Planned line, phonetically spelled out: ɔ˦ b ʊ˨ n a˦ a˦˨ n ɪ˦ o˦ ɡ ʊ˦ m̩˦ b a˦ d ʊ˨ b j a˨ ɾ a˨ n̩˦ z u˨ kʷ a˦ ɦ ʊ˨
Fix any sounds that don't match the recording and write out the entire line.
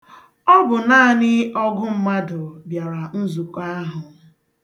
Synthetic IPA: ɔ˦ b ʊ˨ n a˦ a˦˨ n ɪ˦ ɔ˦ ɡ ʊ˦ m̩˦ m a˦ d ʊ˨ b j a˨ ɾ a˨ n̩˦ z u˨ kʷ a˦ ɦ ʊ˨